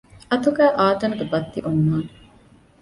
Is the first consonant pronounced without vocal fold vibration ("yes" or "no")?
yes